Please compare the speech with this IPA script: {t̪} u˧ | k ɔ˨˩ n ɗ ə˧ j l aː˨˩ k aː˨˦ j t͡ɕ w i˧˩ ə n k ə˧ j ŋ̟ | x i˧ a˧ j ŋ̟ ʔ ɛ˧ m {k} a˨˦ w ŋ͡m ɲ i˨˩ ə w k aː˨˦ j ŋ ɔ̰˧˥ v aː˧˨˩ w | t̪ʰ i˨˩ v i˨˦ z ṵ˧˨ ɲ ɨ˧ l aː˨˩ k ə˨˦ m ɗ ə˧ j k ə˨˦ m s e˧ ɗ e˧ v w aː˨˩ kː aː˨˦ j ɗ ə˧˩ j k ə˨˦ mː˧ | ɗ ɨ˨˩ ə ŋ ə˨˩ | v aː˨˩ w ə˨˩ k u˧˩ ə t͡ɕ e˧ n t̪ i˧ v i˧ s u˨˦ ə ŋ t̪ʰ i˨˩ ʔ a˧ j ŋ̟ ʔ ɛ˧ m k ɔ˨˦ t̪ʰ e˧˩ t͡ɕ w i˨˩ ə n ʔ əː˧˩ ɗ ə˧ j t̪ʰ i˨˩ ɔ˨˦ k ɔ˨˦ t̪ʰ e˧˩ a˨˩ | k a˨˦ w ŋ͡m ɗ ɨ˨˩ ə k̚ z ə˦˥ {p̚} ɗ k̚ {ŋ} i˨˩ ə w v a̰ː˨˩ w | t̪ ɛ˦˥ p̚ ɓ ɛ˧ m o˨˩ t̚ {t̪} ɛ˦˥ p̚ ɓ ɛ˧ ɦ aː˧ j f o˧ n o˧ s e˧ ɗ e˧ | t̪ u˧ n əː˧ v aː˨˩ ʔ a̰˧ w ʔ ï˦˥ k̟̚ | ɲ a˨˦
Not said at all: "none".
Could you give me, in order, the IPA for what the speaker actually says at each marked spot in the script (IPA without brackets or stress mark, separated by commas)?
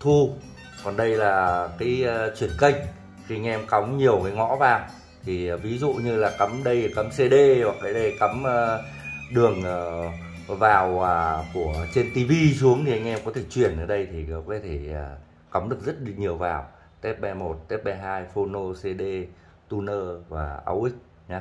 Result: t̪ʰ, k, t̚, ɲ, t̪